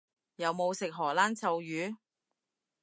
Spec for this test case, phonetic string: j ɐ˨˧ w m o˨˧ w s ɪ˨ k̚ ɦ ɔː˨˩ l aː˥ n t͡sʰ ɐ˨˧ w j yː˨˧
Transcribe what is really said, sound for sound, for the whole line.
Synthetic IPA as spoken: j ɐ˨˧ w m o˨˧ w s ɪ˨ k̚ ɦ ɔː˨˩ l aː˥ n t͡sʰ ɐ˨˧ w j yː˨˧